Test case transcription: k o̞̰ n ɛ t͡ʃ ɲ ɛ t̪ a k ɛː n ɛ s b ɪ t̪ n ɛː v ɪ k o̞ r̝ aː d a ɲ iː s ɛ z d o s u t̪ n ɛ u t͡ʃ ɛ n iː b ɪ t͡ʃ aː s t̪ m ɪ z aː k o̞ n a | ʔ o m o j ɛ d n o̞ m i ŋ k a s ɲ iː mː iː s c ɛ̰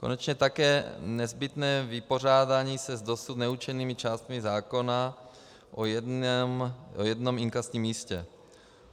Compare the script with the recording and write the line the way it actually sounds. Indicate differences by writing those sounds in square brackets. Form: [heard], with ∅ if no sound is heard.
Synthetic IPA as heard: k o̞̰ n ɛ t͡ʃ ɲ ɛ t̪ a k ɛː n ɛ [z] b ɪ t̪ n ɛː v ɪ [p] o̞ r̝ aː d a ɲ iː s ɛ z d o s u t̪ n ɛ u t͡ʃ ɛ n iː [m] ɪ t͡ʃ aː s t̪ m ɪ z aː k o̞ n a | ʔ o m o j ɛ d n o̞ m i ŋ k a s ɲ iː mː iː s c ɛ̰

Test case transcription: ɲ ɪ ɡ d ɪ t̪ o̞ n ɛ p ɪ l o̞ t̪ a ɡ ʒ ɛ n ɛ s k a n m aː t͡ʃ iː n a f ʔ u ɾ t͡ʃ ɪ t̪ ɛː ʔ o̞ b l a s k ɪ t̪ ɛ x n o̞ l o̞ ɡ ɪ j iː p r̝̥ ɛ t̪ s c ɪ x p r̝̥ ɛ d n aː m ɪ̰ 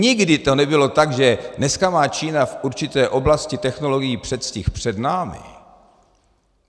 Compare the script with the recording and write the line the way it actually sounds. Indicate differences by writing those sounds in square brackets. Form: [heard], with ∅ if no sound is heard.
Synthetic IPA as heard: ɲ ɪ ɡ d ɪ t̪ o̞ n ɛ [b] ɪ l o̞ t̪ a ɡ ʒ ɛ n ɛ s k a [∅] m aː t͡ʃ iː n a f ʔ u ɾ t͡ʃ ɪ t̪ ɛː ʔ o̞ b l a s [c] ɪ t̪ ɛ x n o̞ l o̞ ɡ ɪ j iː p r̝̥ ɛ t̪ s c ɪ x p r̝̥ ɛ d n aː m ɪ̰

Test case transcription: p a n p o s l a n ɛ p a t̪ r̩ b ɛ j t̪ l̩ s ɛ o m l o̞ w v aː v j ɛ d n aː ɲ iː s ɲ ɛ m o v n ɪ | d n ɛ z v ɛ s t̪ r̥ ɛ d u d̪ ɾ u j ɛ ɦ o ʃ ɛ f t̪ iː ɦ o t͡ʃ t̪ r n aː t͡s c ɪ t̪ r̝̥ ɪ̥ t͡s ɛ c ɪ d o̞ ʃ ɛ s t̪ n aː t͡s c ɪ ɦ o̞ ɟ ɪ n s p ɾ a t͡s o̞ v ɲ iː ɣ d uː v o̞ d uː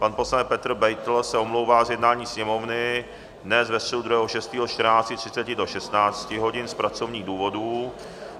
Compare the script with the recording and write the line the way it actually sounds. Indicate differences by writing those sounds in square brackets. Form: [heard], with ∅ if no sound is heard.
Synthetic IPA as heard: p a n p o s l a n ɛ p [ɛ] t̪ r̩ b ɛ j t̪ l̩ s ɛ o m l o̞ w v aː [z] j ɛ d n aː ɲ iː s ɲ ɛ m o v n ɪ | d n ɛ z v ɛ s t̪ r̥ ɛ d u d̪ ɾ u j ɛ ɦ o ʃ ɛ [s] t̪ iː ɦ o t͡ʃ t̪ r n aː t͡s c ɪ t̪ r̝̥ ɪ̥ t͡s ɛ c ɪ d o̞ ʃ ɛ s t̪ n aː t͡s c ɪ ɦ o̞ ɟ ɪ n s p ɾ a t͡s o̞ v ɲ iː ɣ d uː v o̞ d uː

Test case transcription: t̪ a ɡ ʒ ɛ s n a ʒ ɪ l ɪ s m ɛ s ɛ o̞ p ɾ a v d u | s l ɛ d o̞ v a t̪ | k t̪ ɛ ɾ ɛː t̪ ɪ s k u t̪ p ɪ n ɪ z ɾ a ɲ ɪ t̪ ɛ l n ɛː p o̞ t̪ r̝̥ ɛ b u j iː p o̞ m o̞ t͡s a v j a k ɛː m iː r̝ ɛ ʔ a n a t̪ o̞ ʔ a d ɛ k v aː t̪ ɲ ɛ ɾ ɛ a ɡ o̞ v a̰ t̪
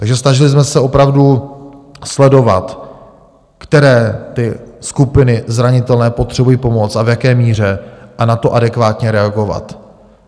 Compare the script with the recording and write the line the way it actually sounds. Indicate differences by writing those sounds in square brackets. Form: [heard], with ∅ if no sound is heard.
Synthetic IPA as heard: t̪ a ɡ ʒ ɛ s n a ʒ ɪ l ɪ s m ɛ s ɛ o̞ p ɾ a v d u | s l ɛ d o̞ v a t̪ | k t̪ ɛ ɾ ɛː t̪ ɪ s k u [∅] p ɪ n ɪ z ɾ a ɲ ɪ t̪ ɛ l n ɛː p o̞ t̪ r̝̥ ɛ b u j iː p o̞ m o̞ t͡s a v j a k ɛː m iː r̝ ɛ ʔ a n a t̪ o̞ ʔ a d ɛ k v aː t̪ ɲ ɛ ɾ ɛ a ɡ o̞ v a̰ t̪

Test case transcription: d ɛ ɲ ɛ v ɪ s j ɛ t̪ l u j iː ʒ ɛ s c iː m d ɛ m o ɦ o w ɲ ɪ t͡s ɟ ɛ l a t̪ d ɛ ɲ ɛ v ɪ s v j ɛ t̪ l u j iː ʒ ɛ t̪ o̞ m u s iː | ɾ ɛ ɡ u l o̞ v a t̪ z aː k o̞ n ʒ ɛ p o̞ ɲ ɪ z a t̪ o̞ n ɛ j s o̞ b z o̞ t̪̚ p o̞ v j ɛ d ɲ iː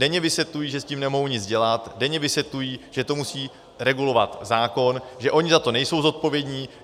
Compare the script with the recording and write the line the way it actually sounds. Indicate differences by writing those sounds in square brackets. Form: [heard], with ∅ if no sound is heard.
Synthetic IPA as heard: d ɛ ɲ ɛ v ɪ s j ɛ t̪ l u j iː ʒ ɛ s c iː m [n] ɛ m o ɦ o w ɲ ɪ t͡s ɟ ɛ l a t̪ d ɛ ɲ ɛ v ɪ s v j ɛ t̪ l u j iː ʒ ɛ t̪ o̞ m u s iː | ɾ ɛ ɡ u l o̞ v a t̪ z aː k o̞ n ʒ ɛ [ʔ] o̞ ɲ ɪ z a t̪ o̞ n ɛ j s o̞ [w] z o̞ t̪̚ p o̞ v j ɛ d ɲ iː

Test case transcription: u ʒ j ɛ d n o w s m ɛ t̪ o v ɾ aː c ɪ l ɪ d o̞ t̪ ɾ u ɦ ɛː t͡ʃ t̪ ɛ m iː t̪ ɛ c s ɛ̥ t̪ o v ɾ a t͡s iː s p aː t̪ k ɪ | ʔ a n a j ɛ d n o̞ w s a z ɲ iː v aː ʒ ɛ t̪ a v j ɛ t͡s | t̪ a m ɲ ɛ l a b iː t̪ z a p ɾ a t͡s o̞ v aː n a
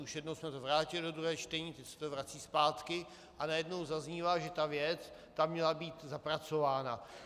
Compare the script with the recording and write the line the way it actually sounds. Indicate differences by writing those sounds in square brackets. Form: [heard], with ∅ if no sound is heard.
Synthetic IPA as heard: u [ʃ] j ɛ d n o w s m ɛ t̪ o v ɾ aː c ɪ l ɪ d o̞ [d̪] ɾ u ɦ ɛː t͡ʃ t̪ ɛ [ɲ] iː t̪ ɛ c s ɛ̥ t̪ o v ɾ a t͡s iː s p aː t̪ k ɪ | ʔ a n a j ɛ d n o̞ w [z] a z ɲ iː v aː ʒ ɛ t̪ a v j ɛ t͡s | t̪ a m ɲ ɛ l a b iː t̪ z a p ɾ a t͡s o̞ v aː n a

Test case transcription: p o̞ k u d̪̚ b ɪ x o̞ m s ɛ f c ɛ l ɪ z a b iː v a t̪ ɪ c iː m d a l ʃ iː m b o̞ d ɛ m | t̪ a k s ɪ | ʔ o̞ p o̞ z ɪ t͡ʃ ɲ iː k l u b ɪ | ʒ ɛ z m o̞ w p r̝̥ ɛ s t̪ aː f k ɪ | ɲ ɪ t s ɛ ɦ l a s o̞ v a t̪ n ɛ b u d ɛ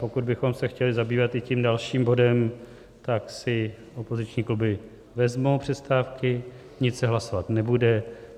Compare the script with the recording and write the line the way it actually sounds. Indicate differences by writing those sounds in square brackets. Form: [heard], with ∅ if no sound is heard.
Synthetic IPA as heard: p o̞ k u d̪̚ b ɪ x o̞ m s ɛ [x] c ɛ l ɪ z a b iː v a t̪ ɪ c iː m d a l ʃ iː m b o̞ d ɛ m | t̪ a k s ɪ | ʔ o̞ p o̞ z ɪ t͡ʃ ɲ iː k l u b ɪ | [v] ɛ z m o̞ w p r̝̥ ɛ s t̪ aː f k ɪ | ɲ ɪ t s ɛ ɦ l a s o̞ v a t̪ n ɛ b u d ɛ

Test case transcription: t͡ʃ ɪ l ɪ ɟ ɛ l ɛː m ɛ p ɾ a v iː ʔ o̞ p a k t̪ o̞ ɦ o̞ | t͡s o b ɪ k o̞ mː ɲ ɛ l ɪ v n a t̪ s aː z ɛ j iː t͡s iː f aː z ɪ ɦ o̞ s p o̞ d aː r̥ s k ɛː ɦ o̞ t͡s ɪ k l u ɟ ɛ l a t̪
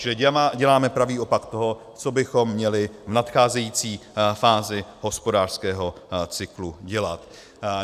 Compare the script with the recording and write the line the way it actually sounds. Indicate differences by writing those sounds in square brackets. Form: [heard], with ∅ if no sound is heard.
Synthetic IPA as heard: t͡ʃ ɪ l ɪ ɟ ɛ l [aː] m ɛ p ɾ a v iː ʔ o̞ p a k t̪ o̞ ɦ o̞ | t͡s o b ɪ [x] o̞ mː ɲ ɛ l ɪ v n a t̪ [x] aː z ɛ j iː t͡s iː f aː z ɪ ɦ o̞ s p o̞ d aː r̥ s k ɛː ɦ o̞ t͡s ɪ k l u ɟ ɛ l a t̪

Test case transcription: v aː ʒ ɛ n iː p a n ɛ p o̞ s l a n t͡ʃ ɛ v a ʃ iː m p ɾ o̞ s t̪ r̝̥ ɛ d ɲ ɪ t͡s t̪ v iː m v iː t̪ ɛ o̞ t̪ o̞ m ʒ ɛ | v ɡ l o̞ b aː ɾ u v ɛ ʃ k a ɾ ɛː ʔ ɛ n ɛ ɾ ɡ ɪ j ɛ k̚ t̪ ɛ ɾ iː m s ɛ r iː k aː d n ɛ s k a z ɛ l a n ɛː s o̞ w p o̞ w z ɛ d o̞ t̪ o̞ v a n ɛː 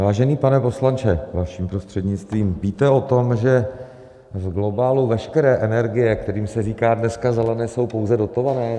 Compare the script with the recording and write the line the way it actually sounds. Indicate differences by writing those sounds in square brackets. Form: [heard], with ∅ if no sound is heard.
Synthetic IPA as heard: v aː ʒ ɛ n iː p a n ɛ p o̞ s l a n t͡ʃ ɛ v a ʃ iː m p ɾ o̞ s t̪ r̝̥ ɛ d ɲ ɪ t͡s t̪ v iː m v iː t̪ ɛ o̞ t̪ o̞ m ʒ ɛ | v ɡ l o̞ b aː [l] u v ɛ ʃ k [ɛ] ɾ ɛː ʔ ɛ n ɛ ɾ ɡ ɪ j ɛ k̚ t̪ ɛ ɾ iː m s ɛ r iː k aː d n ɛ s k a z ɛ l [ɛ] n ɛː s o̞ w p o̞ w z ɛ d o̞ t̪ o̞ v a n ɛː

